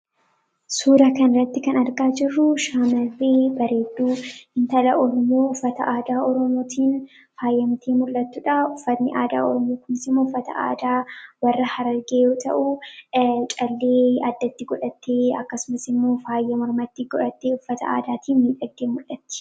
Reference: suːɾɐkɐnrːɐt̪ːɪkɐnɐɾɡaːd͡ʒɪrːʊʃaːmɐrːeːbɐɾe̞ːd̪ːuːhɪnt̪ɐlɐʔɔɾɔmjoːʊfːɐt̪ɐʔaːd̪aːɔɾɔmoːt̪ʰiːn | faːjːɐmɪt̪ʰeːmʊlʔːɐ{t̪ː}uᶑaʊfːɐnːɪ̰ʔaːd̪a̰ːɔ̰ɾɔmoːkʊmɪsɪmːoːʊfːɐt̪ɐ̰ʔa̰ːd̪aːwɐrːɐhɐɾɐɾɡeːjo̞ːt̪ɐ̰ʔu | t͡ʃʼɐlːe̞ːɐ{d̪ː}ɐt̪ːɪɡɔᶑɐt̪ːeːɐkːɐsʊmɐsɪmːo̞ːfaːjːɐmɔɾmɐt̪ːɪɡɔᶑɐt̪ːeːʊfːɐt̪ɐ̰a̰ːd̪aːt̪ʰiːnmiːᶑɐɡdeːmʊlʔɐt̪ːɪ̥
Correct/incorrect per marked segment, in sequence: correct, correct

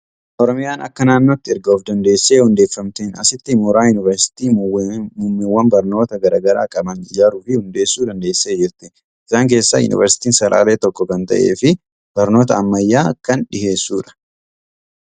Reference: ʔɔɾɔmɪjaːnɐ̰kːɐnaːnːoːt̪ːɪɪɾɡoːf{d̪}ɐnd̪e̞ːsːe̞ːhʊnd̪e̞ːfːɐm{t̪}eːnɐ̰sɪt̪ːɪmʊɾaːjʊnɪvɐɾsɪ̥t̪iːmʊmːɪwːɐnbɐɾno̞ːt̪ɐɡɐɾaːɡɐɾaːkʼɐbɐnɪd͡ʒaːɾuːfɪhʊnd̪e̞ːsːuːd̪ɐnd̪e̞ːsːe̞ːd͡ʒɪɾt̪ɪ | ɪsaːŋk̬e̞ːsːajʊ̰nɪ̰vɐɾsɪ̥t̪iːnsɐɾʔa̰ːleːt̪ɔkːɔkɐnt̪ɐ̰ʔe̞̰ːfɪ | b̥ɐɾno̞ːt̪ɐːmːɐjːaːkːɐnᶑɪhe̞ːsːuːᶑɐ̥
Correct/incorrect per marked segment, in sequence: correct, correct

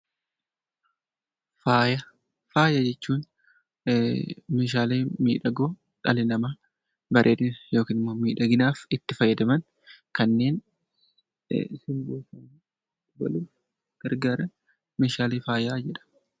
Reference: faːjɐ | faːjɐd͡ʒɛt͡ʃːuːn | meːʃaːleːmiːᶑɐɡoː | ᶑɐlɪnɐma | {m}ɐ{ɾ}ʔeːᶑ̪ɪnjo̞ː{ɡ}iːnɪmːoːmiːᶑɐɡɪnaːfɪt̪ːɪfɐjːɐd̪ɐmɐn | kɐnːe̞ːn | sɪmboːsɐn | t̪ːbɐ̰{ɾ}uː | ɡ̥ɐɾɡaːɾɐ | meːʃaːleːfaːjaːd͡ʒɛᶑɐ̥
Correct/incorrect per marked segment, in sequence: incorrect: b, correct, incorrect: k, incorrect: l

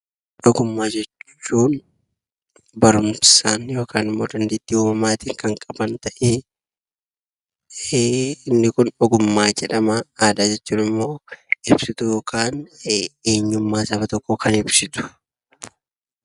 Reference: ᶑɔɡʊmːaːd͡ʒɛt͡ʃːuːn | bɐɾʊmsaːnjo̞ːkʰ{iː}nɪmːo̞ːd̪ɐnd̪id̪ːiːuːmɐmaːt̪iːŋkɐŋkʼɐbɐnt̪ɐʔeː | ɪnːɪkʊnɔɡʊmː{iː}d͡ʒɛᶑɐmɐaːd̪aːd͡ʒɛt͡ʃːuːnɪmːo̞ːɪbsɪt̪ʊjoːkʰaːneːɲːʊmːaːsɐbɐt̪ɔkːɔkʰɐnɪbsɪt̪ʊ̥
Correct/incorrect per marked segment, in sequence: incorrect: aː, incorrect: aː

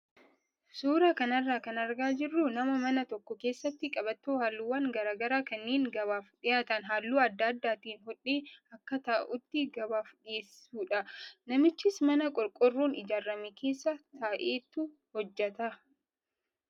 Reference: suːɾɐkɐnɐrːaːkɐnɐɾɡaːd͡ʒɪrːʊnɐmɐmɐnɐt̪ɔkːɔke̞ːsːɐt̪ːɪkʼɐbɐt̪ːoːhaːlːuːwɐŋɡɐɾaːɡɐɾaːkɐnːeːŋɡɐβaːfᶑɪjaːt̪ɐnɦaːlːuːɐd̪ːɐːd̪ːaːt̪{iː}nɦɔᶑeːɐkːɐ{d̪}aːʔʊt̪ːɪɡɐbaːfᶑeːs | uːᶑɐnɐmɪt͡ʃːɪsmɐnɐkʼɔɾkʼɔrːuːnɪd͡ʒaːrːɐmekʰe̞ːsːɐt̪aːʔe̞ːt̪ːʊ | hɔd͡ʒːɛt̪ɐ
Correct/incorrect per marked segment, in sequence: correct, incorrect: t̪

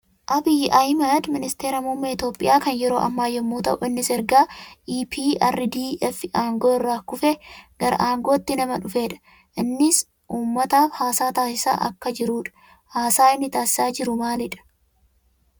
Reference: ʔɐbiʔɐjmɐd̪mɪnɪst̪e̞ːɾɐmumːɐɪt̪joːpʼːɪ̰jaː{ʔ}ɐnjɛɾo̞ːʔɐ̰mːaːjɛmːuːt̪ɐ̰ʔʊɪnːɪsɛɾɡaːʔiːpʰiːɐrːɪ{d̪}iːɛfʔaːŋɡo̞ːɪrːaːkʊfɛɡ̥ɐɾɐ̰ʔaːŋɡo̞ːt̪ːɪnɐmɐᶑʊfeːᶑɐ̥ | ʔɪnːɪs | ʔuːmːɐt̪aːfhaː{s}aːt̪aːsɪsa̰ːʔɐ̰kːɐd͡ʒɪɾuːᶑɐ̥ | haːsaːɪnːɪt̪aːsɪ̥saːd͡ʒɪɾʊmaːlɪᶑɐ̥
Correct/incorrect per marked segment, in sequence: incorrect: k, correct, correct

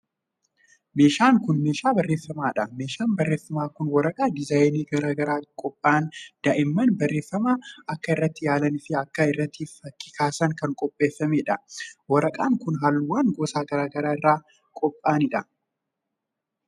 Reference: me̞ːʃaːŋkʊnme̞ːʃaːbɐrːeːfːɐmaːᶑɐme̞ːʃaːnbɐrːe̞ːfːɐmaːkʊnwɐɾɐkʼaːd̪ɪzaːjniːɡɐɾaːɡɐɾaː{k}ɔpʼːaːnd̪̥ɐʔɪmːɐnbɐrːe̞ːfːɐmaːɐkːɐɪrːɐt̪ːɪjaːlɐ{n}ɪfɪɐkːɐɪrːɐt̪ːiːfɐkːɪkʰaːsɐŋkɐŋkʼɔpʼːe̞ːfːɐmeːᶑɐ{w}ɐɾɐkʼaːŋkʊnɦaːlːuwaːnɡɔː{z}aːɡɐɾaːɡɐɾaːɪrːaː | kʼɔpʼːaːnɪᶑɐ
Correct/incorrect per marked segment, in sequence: incorrect: kʼ, correct, correct, incorrect: s

